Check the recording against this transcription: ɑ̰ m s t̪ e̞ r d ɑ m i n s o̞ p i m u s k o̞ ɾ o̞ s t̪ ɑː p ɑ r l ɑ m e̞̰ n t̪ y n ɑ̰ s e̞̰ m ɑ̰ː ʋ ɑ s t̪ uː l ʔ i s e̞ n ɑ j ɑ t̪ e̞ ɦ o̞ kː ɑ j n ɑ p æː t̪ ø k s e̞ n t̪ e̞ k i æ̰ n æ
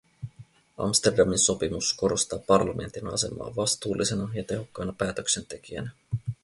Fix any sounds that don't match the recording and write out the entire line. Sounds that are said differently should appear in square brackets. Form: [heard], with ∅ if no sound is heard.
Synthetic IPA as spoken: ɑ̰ m s t̪ e̞ r d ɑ m i n s o̞ p i m u s k o̞ ɾ o̞ s t̪ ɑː p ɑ r l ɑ m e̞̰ n t̪ [i] n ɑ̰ s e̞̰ m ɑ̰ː ʋ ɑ s t̪ uː l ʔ i s e̞ n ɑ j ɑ t̪ e̞ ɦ o̞ kː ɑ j n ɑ p æː t̪ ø k s e̞ n t̪ e̞ k i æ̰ n æ